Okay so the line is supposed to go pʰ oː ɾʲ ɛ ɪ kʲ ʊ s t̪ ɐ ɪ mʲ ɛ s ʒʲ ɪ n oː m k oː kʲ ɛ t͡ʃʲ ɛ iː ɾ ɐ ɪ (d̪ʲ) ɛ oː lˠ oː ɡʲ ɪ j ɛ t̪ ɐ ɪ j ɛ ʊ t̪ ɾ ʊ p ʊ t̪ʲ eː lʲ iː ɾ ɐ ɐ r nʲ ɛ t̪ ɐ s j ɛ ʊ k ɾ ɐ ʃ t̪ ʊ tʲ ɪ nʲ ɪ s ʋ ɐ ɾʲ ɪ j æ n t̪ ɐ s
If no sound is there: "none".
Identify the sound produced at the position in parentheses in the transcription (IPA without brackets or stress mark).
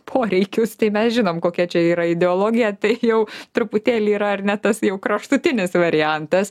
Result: d̪ʲ